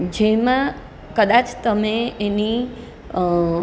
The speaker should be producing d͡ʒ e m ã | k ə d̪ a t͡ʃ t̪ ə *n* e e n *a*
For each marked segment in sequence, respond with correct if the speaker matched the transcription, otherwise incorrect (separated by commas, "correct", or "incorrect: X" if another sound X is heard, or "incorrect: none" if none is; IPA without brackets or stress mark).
incorrect: m, incorrect: i